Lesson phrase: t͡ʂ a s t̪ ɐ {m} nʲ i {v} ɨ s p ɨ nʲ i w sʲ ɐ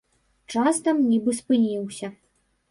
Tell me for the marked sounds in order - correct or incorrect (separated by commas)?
correct, incorrect